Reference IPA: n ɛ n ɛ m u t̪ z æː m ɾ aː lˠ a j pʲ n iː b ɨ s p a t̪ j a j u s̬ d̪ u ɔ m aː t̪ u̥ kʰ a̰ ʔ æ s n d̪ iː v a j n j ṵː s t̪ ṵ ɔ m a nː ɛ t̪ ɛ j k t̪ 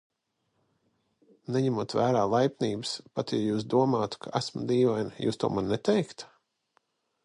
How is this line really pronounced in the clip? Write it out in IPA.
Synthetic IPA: n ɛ ɲ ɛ m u t̪ v æː ɾ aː lˠ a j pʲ n iː b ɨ s p a t̪ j a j uː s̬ d̪ u ɔ m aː t̪ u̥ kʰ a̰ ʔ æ s m d̪ iː v a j n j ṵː s t̪ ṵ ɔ m a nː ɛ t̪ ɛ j k t̪